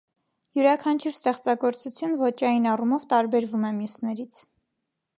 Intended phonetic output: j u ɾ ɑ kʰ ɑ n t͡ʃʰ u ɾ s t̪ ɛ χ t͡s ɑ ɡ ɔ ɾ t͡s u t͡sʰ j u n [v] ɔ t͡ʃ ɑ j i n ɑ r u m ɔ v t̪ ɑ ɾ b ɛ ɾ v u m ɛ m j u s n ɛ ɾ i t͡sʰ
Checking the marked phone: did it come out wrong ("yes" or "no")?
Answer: no